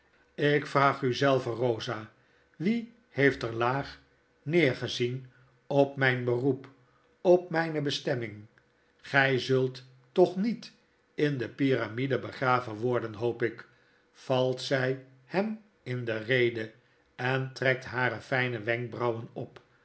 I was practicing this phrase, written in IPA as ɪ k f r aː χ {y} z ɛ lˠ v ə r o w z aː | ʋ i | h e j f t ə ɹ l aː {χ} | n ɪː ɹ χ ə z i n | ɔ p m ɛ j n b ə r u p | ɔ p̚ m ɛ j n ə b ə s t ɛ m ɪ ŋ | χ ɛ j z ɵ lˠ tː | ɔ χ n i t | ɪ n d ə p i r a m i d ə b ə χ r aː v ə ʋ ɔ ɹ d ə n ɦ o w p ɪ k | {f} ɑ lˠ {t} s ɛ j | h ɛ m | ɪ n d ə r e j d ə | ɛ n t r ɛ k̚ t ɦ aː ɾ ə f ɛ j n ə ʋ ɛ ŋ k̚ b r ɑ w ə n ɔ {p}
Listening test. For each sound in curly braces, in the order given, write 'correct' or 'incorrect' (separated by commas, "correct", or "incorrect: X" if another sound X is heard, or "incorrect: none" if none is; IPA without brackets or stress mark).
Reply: correct, correct, correct, correct, correct